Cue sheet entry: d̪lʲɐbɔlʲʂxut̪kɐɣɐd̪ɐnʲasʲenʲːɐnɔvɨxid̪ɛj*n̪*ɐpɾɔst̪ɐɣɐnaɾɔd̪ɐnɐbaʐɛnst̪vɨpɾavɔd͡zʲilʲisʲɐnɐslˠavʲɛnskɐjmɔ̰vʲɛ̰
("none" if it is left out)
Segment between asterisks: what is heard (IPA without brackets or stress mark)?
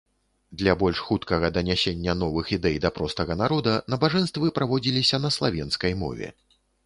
d̪